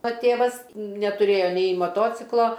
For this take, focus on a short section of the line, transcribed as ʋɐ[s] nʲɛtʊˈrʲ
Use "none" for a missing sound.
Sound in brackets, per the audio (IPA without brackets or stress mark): s